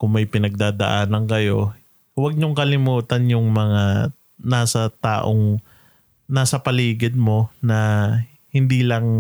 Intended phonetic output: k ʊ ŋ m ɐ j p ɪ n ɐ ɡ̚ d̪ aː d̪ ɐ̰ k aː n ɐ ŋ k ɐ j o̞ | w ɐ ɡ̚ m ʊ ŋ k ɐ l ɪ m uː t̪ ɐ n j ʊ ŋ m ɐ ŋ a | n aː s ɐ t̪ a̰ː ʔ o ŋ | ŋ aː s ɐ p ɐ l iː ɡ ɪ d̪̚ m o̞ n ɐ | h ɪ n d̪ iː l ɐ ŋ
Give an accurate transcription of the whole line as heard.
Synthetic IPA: k ʊ ŋ m ɐ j p ɪ n ɐ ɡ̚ d̪ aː d̪ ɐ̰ ʔ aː n ɐ ŋ k ɐ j o̞ | w ɐ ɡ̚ ɲ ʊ ŋ k ɐ l ɪ m uː t̪ ɐ n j ʊ ŋ m ɐ ŋ a | n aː s ɐ t̪ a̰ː ʔ o ŋ | n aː s ɐ p ɐ l iː ɡ ɪ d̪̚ m o̞ n ɐ | h ɪ n d̪ iː l ɐ ŋ